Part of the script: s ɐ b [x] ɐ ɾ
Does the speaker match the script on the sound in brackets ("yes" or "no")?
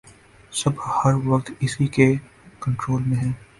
no